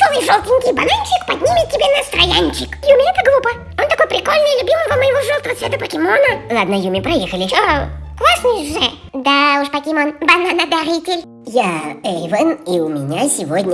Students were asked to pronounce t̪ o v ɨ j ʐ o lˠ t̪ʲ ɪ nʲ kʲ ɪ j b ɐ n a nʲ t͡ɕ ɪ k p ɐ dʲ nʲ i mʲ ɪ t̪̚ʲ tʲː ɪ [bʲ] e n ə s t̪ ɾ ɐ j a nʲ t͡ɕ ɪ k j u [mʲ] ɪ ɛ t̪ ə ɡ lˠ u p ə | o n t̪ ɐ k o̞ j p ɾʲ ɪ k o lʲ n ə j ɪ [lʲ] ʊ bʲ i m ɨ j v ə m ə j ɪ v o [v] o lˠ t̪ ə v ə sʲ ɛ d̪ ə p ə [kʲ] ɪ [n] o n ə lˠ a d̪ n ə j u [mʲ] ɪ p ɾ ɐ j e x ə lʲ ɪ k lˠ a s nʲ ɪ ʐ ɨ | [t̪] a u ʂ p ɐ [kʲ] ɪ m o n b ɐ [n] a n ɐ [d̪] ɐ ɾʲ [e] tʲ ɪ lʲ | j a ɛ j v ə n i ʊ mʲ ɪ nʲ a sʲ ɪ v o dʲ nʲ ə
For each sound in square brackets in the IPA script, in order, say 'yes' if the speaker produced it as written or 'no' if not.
yes, yes, yes, no, yes, no, yes, no, yes, yes, yes, no

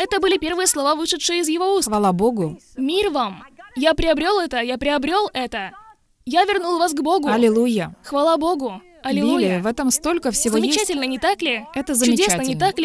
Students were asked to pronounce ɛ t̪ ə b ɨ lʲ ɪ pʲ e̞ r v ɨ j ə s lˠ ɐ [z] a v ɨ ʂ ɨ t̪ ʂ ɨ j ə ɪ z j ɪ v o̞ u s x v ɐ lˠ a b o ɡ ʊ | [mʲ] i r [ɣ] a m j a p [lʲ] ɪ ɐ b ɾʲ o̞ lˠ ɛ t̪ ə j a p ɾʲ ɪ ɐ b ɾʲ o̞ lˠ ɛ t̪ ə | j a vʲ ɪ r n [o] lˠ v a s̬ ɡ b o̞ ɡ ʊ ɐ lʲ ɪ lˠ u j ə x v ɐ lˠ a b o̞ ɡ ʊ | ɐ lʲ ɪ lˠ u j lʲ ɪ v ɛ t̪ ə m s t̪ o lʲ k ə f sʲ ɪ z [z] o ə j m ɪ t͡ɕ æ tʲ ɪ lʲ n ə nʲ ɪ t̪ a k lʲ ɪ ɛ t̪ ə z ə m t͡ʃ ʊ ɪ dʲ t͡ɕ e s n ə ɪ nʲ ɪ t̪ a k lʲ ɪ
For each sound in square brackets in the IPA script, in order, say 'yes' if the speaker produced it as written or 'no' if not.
no, yes, no, no, no, no

